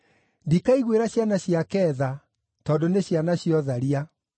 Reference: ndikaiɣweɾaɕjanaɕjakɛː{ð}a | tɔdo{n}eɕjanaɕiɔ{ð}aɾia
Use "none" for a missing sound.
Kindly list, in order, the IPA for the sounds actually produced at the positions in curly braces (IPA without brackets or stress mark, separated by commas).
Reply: ð, n, ð